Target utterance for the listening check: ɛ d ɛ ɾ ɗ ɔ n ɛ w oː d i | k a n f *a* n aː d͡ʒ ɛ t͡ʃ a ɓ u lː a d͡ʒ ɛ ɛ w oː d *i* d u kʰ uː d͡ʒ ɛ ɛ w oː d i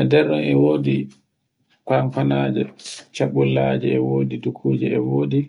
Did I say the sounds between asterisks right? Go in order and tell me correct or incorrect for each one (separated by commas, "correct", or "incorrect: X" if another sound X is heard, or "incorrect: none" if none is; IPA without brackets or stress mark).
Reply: correct, correct